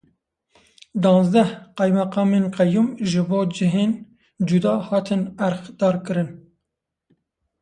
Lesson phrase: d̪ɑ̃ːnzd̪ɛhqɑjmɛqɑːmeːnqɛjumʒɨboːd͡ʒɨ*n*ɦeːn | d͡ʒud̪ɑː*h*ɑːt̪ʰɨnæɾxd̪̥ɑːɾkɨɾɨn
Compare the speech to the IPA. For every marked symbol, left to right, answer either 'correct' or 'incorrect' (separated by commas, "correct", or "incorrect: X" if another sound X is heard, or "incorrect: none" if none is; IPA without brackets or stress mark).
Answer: incorrect: none, correct